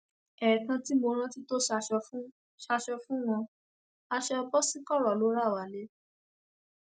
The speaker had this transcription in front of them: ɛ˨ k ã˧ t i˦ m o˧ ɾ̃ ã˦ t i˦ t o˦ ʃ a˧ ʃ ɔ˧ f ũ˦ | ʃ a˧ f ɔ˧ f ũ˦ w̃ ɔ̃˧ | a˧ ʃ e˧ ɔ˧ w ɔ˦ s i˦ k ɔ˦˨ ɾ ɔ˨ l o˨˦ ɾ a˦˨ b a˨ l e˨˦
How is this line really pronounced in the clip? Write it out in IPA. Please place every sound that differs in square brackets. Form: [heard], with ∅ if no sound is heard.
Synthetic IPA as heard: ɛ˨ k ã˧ t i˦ m o˧ ɾ̃ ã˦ t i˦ t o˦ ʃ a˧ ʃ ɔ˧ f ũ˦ | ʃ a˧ [ʃ] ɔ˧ f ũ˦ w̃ ɔ̃˧ | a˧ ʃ [ɛ˧] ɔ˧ [b] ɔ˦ s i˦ k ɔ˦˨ ɾ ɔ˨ l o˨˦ ɾ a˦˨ [w] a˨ l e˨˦